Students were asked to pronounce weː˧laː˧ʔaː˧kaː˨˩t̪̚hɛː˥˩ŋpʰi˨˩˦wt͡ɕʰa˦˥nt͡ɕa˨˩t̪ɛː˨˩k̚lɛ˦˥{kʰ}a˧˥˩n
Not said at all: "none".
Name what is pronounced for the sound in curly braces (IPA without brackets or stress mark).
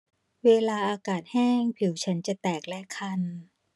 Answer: kʰ